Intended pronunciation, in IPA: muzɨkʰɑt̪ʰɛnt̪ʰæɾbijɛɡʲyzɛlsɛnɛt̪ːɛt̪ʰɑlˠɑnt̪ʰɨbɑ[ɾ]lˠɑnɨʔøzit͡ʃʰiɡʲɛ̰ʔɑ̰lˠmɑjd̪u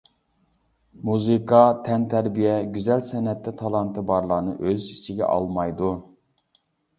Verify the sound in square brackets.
correct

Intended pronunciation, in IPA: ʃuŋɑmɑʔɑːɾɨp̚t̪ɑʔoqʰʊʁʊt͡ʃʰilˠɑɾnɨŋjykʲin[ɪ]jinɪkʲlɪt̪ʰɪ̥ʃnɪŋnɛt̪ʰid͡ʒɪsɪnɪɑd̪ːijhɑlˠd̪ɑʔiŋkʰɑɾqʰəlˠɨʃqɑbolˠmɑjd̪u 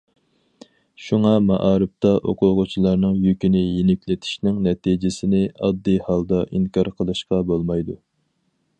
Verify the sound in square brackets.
correct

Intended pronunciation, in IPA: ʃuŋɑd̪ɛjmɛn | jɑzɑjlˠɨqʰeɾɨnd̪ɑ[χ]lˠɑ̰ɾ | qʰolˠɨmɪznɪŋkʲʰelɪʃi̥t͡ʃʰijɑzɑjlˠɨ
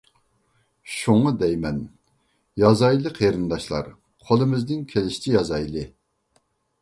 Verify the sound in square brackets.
incorrect: ʃ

